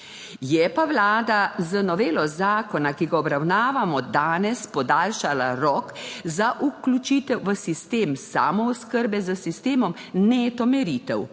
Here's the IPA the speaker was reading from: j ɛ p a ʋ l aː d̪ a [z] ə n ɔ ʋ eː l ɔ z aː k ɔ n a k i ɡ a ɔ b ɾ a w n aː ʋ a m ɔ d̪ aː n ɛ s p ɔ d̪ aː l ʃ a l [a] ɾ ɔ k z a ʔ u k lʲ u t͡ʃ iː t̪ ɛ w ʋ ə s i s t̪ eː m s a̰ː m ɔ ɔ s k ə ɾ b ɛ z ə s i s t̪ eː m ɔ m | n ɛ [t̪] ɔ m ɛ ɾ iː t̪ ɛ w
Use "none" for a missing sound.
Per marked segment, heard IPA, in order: z, a, t̪

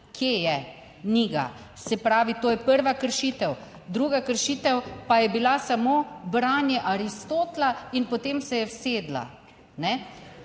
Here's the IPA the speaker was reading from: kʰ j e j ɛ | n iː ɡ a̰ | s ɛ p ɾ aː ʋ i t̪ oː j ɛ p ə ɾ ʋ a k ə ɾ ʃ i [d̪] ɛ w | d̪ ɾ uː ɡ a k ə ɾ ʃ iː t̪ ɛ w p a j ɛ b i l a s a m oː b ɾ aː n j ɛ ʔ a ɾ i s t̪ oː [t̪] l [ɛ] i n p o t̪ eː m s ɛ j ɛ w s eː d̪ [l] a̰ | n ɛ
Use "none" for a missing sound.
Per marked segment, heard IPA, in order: t̪, t̪, a, l

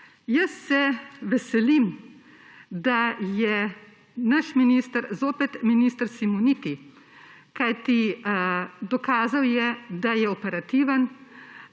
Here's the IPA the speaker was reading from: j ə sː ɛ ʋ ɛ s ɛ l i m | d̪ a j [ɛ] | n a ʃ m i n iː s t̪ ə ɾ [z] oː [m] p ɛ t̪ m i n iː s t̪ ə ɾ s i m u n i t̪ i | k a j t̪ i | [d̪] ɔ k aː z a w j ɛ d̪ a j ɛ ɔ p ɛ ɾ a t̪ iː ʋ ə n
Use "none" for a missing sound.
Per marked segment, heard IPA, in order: ɛ, z, none, d̪

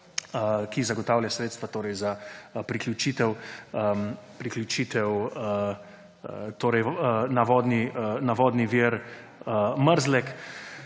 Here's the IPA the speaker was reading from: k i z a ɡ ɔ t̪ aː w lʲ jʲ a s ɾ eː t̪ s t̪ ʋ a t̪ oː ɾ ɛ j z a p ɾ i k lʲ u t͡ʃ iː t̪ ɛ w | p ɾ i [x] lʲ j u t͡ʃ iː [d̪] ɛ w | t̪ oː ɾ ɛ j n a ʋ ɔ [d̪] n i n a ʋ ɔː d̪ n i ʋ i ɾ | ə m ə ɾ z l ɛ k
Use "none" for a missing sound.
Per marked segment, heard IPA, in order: k, t̪, d̪

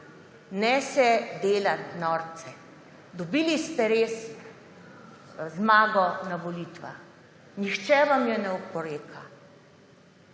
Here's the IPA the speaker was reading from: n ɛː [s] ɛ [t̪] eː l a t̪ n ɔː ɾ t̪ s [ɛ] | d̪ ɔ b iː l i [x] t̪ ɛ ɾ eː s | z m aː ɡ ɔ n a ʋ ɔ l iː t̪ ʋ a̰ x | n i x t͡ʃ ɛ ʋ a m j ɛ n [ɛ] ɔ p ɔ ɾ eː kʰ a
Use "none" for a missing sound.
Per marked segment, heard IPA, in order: s, d̪, ɛ, s, ɛ

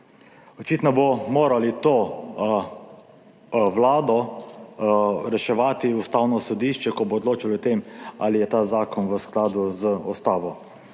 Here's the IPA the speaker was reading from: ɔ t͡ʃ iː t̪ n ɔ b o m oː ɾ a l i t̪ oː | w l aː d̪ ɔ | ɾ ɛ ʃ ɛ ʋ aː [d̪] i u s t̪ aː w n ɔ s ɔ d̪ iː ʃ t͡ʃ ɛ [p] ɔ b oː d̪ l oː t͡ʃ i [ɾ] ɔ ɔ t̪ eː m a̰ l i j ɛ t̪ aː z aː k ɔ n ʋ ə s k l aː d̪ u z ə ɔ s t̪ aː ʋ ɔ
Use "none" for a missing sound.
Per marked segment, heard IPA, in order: t̪, k, l

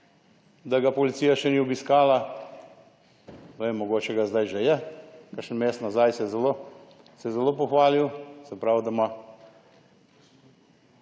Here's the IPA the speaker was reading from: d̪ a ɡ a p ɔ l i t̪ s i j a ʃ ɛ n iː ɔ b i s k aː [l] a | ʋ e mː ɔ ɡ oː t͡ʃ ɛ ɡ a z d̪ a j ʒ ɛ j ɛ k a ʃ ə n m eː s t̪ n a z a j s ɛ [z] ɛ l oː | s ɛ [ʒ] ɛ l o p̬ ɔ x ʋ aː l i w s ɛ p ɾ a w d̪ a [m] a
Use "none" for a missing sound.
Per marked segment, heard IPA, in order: l, z, z, m

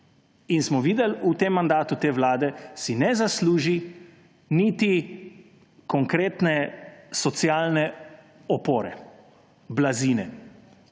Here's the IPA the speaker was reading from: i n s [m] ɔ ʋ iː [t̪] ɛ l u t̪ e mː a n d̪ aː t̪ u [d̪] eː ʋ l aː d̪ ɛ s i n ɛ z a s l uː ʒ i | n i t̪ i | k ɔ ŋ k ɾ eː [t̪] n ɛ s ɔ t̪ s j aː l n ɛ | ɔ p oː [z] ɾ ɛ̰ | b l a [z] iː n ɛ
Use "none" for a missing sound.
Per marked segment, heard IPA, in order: m, d̪, t̪, t̪, none, z

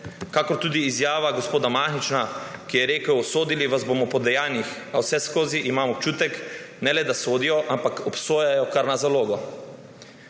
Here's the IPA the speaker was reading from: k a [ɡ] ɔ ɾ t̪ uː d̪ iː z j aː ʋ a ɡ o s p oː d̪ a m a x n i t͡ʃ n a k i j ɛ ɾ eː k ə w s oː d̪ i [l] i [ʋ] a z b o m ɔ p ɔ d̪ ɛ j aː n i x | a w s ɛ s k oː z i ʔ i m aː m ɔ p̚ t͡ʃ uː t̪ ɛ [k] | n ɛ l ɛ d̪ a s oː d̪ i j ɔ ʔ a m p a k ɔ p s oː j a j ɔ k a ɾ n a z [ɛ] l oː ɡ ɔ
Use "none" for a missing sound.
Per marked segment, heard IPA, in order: k, l, ʋ, k, a

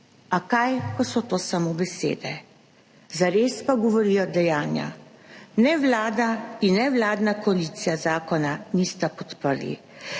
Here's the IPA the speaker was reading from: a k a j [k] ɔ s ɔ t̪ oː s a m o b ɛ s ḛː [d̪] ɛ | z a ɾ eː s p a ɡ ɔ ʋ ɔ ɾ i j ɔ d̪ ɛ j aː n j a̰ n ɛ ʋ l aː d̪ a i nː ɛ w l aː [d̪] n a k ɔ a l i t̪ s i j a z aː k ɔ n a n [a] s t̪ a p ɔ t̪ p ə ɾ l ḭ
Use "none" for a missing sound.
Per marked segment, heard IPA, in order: k, d̪, d̪, i

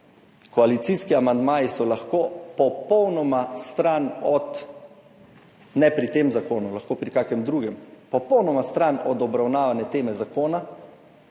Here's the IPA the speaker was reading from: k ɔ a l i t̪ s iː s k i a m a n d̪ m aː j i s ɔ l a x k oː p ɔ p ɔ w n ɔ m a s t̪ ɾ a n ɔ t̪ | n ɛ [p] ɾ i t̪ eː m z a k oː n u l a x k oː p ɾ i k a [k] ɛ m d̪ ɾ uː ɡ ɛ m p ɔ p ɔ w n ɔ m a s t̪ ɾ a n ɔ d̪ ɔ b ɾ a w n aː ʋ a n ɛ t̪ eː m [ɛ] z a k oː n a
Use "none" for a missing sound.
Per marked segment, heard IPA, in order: p, k, ɛ

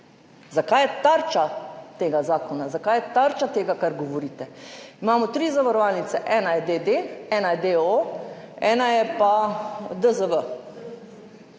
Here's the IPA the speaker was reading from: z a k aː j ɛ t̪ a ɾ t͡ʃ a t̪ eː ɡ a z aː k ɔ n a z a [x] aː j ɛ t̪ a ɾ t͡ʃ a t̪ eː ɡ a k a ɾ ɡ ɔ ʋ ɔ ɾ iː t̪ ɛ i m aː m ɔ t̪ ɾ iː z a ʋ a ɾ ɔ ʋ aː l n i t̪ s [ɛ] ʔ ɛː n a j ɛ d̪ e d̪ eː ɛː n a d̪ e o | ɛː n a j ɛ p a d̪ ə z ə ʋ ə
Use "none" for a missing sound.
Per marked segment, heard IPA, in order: k, ɛ

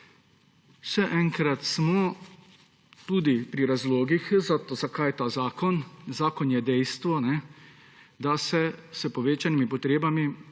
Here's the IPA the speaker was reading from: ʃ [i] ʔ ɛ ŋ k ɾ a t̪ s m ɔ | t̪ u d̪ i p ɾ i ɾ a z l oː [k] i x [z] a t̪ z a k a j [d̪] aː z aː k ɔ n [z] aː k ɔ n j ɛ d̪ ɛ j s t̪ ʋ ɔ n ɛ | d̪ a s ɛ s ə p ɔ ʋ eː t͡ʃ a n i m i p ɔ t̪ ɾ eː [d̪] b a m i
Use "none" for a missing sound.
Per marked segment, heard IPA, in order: ɛ, ɡ, z, t̪, z, none

